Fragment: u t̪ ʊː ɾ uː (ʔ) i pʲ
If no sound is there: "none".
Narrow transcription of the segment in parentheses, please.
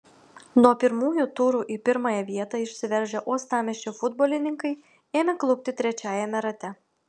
ʔ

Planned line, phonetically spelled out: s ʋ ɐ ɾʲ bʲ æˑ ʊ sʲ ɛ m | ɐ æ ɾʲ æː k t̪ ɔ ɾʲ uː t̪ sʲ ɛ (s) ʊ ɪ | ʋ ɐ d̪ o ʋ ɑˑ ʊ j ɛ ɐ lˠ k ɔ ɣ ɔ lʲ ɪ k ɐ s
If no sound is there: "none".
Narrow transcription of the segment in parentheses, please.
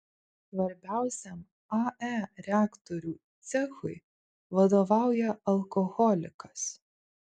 x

